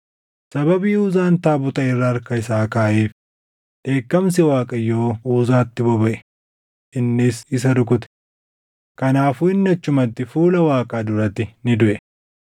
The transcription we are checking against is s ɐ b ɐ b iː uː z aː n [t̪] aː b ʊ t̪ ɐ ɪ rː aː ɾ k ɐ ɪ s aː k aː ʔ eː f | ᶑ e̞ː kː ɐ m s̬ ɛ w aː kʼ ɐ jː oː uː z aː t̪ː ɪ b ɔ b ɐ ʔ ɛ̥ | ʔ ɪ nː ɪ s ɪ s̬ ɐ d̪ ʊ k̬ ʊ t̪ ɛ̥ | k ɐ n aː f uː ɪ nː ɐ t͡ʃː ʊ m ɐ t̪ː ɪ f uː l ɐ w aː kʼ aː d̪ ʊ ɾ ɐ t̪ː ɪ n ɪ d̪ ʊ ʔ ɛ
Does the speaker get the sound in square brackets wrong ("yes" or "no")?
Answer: no